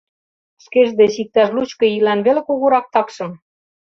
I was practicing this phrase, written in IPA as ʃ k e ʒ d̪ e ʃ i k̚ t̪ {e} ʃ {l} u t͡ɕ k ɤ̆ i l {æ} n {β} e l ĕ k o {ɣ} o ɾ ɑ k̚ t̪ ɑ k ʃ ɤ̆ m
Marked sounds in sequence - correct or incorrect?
incorrect: æ, correct, correct, correct, correct

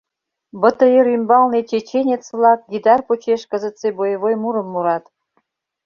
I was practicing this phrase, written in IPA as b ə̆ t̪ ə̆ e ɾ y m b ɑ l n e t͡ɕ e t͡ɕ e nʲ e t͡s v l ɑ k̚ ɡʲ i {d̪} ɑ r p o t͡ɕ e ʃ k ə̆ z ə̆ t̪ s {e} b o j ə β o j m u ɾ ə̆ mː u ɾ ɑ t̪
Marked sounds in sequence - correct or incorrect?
correct, correct

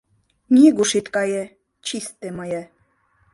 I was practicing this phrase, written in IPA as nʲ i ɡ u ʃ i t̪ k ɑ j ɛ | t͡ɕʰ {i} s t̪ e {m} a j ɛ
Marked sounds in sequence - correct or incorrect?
correct, correct

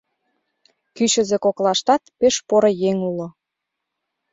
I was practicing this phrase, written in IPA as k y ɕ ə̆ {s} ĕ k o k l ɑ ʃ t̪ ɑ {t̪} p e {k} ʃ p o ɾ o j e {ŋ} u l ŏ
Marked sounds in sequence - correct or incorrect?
incorrect: z, correct, incorrect: none, correct

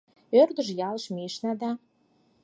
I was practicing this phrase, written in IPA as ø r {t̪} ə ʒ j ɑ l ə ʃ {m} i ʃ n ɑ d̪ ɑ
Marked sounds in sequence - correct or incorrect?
incorrect: d̪, correct

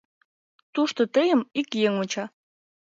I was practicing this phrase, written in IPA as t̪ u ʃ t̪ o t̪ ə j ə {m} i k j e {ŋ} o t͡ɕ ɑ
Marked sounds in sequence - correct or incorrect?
correct, correct

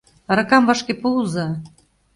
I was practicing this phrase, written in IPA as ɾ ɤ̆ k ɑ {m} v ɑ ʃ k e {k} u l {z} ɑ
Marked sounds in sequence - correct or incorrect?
correct, incorrect: p, correct

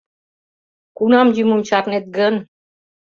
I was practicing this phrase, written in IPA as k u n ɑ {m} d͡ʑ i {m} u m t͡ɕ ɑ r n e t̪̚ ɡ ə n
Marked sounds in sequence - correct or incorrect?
correct, correct

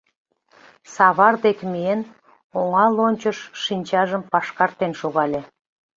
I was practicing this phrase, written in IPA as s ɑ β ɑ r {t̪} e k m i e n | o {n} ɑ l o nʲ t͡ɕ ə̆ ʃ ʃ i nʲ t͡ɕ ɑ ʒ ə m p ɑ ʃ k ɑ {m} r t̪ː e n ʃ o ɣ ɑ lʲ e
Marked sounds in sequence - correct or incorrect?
incorrect: d̪, incorrect: ŋ, incorrect: none

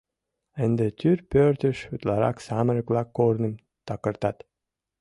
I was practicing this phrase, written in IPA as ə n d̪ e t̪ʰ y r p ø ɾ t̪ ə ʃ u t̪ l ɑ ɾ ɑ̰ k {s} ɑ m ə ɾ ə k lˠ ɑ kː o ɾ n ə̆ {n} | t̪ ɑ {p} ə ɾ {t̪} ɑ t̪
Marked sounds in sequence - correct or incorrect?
correct, incorrect: m, incorrect: k, correct

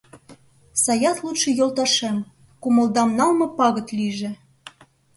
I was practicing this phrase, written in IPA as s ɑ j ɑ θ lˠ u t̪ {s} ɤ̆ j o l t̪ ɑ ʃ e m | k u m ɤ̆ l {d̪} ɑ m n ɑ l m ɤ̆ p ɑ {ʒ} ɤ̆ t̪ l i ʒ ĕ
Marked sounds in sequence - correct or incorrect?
incorrect: ʃ, correct, incorrect: ɣ

